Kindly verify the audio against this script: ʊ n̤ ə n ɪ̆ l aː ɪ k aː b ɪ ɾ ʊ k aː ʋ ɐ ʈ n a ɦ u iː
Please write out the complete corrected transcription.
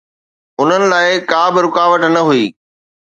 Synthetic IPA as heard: ʊ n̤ ə n ɪ̆ l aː ɪ k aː b ɪ ɾ ʊ k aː ʋ ə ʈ n ɐ ɦ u iː